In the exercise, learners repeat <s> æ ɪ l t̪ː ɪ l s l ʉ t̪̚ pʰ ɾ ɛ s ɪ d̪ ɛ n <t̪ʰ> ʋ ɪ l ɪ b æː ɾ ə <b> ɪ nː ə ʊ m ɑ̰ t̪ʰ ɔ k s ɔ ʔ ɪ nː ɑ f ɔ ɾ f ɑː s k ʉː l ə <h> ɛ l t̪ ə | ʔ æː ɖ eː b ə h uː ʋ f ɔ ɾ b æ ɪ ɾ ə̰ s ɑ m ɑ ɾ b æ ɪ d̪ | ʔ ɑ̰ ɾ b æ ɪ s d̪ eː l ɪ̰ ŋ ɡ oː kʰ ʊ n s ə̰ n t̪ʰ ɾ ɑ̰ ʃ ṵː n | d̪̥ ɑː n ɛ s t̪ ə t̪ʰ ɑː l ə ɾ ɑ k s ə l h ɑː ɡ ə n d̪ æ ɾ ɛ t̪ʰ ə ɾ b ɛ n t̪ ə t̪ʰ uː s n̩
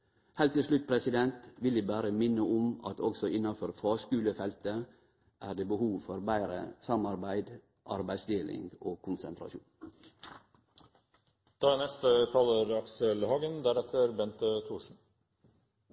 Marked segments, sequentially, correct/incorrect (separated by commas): incorrect, incorrect, incorrect, incorrect